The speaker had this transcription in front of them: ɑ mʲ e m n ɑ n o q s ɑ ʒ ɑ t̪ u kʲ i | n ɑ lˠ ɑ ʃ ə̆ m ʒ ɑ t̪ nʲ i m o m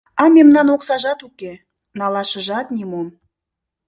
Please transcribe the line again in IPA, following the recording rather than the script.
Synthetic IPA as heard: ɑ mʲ e m n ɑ n o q s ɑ ʒ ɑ t̪ u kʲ e | n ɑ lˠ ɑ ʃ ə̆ ʒ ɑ t̪ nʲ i m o m